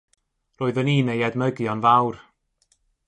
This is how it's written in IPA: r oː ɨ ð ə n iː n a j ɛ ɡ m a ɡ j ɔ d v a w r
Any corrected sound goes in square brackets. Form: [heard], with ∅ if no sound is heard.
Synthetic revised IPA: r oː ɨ ð ə n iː n [e] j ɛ [d] m [ə] ɡ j ɔ [n] v a w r